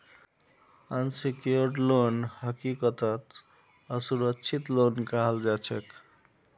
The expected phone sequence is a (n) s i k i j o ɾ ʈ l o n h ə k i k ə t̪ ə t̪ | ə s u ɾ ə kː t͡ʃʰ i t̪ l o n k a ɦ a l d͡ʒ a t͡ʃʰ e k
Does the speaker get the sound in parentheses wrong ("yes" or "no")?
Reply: no